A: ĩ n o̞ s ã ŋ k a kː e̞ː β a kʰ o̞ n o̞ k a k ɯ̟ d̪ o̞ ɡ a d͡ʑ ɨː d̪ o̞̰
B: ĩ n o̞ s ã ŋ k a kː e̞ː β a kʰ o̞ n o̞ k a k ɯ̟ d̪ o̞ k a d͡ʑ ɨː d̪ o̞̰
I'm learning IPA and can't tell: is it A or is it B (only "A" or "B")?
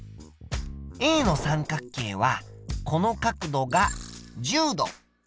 A